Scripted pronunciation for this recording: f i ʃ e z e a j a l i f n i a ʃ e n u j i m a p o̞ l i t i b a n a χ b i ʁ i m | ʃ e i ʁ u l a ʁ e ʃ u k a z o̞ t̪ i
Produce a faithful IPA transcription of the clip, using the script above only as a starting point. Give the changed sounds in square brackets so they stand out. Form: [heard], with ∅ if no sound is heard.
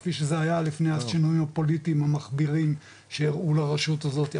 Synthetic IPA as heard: f i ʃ e z e a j a l i f n [e] a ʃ [i] n u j i m a p o̞ l i t i [m] a [m] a χ b i ʁ i m | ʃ e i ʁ u l a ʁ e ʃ u [t] a z o̞ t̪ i